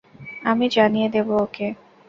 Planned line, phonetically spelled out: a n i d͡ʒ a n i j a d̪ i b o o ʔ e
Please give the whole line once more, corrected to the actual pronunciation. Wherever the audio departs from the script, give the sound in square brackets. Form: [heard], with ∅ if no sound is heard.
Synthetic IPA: a [m] i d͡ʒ a n i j [e] d̪ [e] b o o [k] e